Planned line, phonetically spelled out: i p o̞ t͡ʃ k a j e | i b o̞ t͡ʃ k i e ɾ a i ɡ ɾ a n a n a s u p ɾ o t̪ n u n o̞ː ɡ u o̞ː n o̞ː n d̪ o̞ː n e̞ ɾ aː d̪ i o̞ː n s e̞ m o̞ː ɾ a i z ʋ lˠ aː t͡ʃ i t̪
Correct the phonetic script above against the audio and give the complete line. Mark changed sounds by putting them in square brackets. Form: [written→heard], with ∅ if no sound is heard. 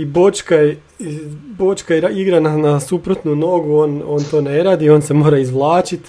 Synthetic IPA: i [p→b] o̞ t͡ʃ k a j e | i b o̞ t͡ʃ k [i→a] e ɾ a i ɡ ɾ a n a n a s u p ɾ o t̪ n u n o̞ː ɡ u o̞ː n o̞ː n [d̪→t̪] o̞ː n e̞ ɾ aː d̪ i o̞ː n s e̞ m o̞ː ɾ a i z ʋ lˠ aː t͡ʃ i t̪